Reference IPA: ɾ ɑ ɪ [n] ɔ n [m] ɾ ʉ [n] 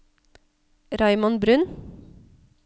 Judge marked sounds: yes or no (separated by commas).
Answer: no, no, yes